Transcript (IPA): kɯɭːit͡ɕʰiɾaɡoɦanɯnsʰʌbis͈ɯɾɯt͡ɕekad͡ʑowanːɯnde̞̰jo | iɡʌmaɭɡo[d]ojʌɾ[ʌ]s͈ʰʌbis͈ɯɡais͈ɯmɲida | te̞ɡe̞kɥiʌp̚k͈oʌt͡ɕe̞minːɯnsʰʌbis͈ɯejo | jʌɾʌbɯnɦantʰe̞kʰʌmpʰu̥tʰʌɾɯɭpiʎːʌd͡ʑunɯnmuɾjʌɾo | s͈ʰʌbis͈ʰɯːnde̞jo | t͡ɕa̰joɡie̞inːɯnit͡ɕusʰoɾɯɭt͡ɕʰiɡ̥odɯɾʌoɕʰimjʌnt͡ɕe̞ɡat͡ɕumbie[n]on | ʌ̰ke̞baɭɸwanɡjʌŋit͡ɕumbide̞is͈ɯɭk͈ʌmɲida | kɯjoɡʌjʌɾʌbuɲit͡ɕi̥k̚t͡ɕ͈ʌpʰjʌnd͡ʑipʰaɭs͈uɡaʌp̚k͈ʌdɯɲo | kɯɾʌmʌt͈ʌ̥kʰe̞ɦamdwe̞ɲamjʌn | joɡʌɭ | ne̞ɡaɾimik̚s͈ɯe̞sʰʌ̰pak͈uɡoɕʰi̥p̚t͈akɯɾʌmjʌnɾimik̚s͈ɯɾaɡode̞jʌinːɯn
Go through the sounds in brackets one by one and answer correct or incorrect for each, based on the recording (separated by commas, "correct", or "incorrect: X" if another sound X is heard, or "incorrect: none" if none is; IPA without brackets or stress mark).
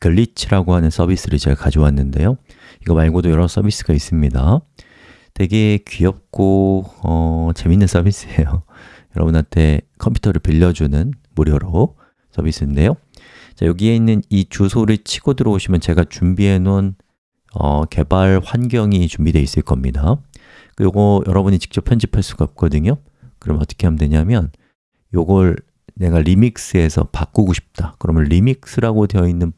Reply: correct, correct, correct